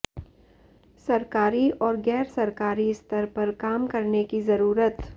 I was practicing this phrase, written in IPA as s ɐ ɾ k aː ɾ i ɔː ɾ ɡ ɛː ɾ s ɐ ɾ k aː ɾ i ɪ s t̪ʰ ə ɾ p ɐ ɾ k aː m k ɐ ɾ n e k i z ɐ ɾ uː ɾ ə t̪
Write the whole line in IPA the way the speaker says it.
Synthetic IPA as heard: s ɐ ɾ k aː ɾ i ɔː ɾ ɡ ɛː ɾ s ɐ ɾ k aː ɾ i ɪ s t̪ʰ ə ɾ p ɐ ɾ k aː m k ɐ ɾ n e k i z ɐ ɾ uː ɾ ə t̪